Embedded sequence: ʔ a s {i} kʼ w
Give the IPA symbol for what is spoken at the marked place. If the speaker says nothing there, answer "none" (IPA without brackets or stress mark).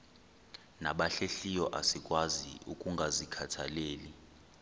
i